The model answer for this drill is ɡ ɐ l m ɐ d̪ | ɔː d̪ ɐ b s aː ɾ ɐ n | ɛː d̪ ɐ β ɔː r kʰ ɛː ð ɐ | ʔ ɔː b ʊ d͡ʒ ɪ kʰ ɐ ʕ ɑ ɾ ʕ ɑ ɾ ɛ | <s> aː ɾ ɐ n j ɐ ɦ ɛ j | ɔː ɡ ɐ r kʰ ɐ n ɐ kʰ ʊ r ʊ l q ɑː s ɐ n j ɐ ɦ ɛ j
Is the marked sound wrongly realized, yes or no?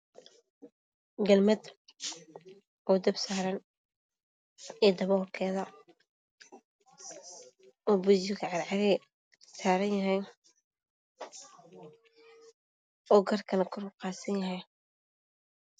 no